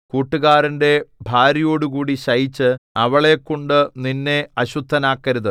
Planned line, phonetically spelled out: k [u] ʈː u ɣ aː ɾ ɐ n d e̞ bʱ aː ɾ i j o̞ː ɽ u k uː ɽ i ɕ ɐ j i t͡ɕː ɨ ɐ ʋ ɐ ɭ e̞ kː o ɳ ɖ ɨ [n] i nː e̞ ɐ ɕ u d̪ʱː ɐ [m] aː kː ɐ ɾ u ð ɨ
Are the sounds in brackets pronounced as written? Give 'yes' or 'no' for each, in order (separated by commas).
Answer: no, yes, no